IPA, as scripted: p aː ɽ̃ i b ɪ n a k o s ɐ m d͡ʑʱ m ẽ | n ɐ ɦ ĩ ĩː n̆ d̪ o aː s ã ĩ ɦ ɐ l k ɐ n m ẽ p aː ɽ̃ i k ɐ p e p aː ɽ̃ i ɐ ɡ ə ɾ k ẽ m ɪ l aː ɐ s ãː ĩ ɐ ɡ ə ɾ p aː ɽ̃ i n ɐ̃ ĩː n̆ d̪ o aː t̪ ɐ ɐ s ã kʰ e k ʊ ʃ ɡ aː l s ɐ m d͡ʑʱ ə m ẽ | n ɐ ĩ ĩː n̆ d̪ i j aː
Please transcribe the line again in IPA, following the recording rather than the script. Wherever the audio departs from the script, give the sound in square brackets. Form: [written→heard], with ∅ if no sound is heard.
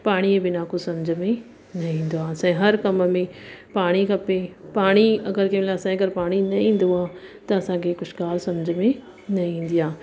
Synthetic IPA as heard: p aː ɽ̃ i b ɪ n a k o s ɐ m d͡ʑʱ m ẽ | n ɐ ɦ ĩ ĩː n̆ d̪ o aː s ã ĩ ɦ ɐ [l→ɾ] k ɐ [n→m] m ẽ p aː ɽ̃ i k ɐ p e p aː ɽ̃ i ɐ ɡ ə ɾ k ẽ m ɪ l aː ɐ s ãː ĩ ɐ ɡ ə ɾ p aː ɽ̃ i n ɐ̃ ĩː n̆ d̪ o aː t̪ ɐ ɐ s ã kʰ e k ʊ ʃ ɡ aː l s ɐ m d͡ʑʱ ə m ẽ | n ɐ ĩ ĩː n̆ d̪ i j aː